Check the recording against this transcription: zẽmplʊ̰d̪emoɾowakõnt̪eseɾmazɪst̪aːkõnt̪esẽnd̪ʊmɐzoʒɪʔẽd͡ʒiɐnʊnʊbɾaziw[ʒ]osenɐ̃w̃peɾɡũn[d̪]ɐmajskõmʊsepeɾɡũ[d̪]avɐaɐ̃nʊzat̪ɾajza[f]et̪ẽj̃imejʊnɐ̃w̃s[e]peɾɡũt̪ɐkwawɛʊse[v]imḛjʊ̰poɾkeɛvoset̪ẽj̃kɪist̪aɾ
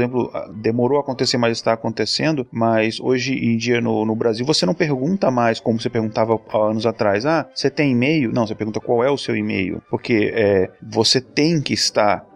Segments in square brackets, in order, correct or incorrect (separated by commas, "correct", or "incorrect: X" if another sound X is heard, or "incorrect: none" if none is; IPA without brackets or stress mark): incorrect: v, incorrect: t̪, incorrect: t̪, incorrect: s, correct, incorrect: w